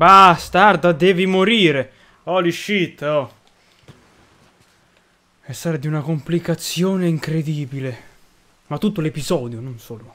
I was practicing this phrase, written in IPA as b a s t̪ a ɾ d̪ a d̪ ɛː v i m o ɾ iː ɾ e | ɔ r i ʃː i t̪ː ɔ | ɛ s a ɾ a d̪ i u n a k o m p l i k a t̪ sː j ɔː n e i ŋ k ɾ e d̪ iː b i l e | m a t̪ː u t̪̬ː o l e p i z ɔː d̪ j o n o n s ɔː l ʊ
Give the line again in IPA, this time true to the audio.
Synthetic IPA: b a s t̪ a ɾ d̪ a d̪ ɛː v i m o ɾ iː ɾ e | ɔ l i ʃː i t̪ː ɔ | ɛ s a ɾ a d̪ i u n a k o m p l i k a t̪ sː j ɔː n e i ŋ k ɾ e d̪ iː b i l e | m a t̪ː u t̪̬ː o l e p i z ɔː d̪ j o n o n s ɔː l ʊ